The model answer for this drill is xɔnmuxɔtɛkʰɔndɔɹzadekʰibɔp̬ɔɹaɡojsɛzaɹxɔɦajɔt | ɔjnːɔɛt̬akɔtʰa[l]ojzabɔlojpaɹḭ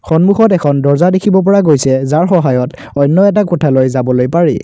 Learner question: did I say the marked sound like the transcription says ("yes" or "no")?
yes